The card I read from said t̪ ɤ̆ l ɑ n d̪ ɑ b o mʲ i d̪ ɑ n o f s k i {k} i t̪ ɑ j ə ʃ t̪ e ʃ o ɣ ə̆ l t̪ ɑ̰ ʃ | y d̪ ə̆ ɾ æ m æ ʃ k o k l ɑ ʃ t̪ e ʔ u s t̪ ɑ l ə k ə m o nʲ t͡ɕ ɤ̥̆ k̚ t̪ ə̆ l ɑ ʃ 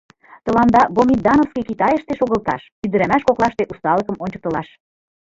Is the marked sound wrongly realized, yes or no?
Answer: no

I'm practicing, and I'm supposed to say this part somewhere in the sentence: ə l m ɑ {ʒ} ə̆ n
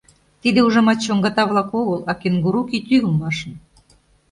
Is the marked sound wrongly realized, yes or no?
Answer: yes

